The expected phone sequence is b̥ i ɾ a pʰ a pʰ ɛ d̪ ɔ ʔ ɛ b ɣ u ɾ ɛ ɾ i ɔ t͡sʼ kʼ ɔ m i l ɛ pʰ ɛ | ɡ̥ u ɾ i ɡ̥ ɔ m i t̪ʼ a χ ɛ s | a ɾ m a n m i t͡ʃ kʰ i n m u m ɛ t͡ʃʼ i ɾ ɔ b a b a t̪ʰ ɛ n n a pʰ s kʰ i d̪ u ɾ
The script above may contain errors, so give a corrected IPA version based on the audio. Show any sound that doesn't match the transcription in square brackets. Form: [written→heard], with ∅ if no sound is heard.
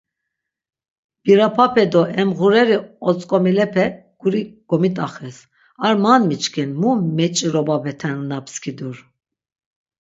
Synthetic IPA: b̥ i ɾ a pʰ a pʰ ɛ d̪ ɔ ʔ ɛ [b→m] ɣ u ɾ ɛ ɾ i ɔ t͡sʼ kʼ ɔ m i l ɛ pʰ ɛ | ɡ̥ u ɾ i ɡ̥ ɔ m i t̪ʼ a χ ɛ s | a ɾ m a n m i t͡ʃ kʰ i n m u m ɛ t͡ʃʼ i ɾ ɔ b a b [a→ɛ] t̪ʰ ɛ n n a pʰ s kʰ i d̪ u ɾ